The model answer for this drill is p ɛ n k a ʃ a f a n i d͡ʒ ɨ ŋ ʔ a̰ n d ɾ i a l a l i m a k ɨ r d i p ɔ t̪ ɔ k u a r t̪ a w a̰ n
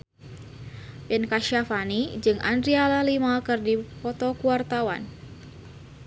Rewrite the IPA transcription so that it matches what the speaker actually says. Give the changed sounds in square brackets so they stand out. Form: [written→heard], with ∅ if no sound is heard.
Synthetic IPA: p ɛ n k a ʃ a f a n i d͡ʒ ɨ ŋ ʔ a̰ n d ɾ i a l a l i m a k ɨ r d i p ɔ t̪ ɔ k u a r t̪ a w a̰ n